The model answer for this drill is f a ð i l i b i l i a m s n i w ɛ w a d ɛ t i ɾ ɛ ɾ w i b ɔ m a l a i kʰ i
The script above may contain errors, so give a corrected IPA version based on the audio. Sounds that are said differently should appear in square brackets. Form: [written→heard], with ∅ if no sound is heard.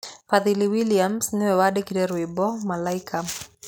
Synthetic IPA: f a ð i l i [b→w] i l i a m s n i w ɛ w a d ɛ [t→k] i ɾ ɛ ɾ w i b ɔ m a l a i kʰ [i→a]